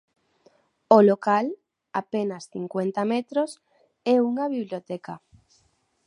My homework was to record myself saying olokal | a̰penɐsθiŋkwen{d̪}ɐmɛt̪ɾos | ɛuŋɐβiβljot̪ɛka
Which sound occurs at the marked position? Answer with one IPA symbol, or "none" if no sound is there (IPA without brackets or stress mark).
t̪